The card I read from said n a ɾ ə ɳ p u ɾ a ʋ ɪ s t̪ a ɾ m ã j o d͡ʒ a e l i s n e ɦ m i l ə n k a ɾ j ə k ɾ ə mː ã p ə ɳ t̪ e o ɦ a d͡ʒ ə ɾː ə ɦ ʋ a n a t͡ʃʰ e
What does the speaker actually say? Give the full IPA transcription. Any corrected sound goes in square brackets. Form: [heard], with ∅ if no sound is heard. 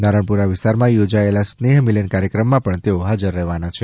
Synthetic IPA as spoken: n a ɾ ə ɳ p u ɾ a ʋ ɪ s t̪ a ɾ m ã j o d͡ʒ a e l [a] s n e ɦ m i l ə n k a ɾ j ə k ɾ ə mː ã p ə ɳ t̪ e o ɦ a d͡ʒ ə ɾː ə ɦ ʋ a n a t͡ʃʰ e

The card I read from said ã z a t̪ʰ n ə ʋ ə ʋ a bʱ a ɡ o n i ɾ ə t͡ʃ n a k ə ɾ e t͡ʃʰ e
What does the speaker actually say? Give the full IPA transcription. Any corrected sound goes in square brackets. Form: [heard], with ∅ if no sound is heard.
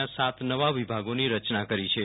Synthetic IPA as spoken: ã [s] a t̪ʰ n ə ʋ [a] ʋ [i] bʱ a ɡ o n i ɾ ə t͡ʃ n a k ə ɾ [i] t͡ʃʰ e

